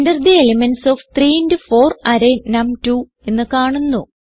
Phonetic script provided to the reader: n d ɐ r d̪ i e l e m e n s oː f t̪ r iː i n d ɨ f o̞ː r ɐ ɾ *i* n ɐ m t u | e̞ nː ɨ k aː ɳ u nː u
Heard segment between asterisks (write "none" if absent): e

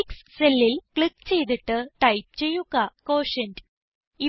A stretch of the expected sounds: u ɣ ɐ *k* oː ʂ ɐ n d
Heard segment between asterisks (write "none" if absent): k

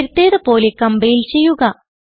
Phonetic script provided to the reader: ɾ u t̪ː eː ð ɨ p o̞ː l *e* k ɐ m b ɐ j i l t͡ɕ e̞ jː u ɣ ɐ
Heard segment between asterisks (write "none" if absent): e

